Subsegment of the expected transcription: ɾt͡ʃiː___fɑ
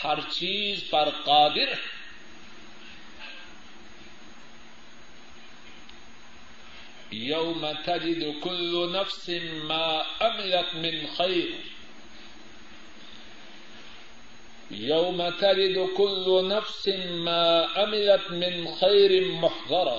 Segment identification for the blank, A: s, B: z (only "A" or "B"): B